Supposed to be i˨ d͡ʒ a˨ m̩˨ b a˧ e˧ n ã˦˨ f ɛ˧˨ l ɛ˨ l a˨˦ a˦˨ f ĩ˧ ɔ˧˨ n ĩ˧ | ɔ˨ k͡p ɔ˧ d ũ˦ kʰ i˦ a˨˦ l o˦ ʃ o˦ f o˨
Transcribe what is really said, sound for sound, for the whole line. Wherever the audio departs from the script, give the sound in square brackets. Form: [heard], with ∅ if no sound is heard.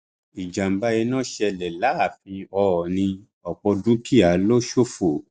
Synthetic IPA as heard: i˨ d͡ʒ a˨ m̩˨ b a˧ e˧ n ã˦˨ [ʃ] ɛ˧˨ l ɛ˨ l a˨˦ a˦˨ f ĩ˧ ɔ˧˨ n ĩ˧ | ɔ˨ k͡p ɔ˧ d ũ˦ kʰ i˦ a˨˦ l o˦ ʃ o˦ f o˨